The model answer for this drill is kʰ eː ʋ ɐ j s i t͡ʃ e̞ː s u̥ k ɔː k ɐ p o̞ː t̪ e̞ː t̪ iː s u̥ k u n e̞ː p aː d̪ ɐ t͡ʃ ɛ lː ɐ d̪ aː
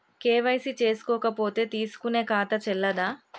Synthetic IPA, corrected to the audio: k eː ʋ ɐ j s i t͡ʃ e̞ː s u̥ k ɔː k ɐ p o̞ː t̪ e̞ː t̪ iː s u̥ k u n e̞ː k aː t̪ ɐ t͡ʃ ɛ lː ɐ d̪ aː

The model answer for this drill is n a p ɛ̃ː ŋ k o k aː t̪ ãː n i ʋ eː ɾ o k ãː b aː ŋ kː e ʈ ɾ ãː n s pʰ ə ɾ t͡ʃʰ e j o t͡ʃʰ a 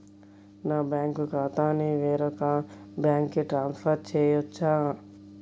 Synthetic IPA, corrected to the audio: n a b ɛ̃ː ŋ k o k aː t̪ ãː n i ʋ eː ɾ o k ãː b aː ŋ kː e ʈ ɾ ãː n s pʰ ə ɾ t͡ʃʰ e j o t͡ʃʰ a

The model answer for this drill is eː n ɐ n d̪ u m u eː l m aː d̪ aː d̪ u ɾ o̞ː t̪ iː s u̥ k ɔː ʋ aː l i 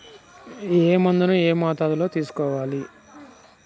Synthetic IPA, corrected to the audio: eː m ɐ n d̪ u n u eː m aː t̪ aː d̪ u l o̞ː t̪ iː s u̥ k ɔː ʋ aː l i

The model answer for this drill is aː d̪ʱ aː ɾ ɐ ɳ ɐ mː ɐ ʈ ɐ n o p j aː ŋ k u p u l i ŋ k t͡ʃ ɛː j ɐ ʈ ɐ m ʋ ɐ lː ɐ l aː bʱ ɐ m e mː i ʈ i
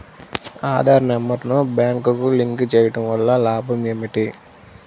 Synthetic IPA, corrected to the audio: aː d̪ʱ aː ɾ ɐ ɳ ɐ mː ɐ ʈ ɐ n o b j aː ŋ k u k u l i ŋ k t͡ʃ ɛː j ɐ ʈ ɐ m ʋ ɐ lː ɐ l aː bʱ ɐ m e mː i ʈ i

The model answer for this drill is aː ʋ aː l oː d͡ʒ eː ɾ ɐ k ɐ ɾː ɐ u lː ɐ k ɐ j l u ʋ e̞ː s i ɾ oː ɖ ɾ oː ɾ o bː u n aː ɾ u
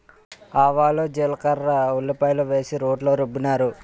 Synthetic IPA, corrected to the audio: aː ʋ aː l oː d͡ʒ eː l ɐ k ɐ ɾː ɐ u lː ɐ p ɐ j l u ʋ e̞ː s i ɾ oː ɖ l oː ɾ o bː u n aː ɾ u

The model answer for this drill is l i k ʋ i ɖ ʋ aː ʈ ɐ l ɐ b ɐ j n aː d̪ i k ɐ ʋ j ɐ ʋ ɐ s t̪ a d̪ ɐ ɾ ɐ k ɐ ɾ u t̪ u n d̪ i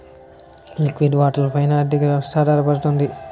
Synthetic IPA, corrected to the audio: l i k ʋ i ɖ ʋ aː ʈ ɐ l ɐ p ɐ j n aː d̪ i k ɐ ʋ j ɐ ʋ ɐ s t̪ʰ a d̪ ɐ ɾ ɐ p ɐ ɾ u t̪ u n d̪ i

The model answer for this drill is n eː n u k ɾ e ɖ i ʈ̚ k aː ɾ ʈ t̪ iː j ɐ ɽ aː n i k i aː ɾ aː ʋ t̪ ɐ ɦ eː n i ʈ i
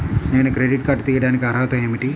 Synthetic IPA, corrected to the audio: n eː n u k ɾ e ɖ i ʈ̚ k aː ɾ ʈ t̪ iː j ɐ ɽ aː n i k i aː ɾ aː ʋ t̪ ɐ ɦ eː m i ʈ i

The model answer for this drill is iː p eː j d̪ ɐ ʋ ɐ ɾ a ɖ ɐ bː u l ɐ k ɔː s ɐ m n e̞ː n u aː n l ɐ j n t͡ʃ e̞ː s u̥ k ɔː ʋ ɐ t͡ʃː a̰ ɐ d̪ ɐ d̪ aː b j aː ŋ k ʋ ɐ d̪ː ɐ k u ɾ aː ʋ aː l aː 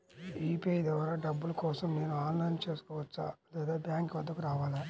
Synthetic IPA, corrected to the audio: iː p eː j d̪ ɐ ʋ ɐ ɾ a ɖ ɐ bː u l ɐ k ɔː s ɐ m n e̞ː n u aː n l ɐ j n t͡ʃ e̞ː s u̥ k ɔː ʋ ɐ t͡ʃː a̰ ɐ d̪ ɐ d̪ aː b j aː ŋ k ʋ ɐ d̪ː ɐ k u ɾ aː ʋ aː l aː

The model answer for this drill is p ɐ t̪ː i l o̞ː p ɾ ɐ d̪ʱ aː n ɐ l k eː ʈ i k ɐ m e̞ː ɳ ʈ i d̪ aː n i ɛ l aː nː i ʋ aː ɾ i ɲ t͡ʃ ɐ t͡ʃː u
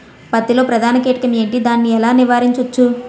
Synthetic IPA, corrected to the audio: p ɐ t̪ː i l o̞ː p ɾ ɐ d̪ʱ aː n ɐ k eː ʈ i k ɐ m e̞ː ɳ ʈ i d̪ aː nː i ɛ l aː n i ʋ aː ɾ i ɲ t͡ʃ ɐ t͡ʃː u

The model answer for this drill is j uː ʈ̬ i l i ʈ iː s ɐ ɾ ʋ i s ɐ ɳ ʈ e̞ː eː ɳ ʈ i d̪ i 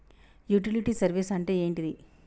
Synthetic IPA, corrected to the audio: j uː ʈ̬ i l i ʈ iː s ɐ ɾ ʋ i s ɐ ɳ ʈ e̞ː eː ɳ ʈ i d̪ i

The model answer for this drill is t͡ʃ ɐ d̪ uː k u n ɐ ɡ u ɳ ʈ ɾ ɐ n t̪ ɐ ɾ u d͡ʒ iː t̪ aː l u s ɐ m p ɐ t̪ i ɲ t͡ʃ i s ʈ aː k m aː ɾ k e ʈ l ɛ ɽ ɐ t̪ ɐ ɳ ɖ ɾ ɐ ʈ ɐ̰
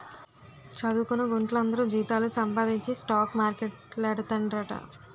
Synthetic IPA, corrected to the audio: t͡ʃ ɐ d̪ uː k u n ɐ ɡ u ɳ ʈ l ɐ n d̪ ɐ ɾ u d͡ʒ iː t̪ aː l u s ɐ m p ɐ d̪ i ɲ t͡ʃ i s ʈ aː k m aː ɾ k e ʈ l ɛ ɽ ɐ t̪ ɐ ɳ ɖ ɾ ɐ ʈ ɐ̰

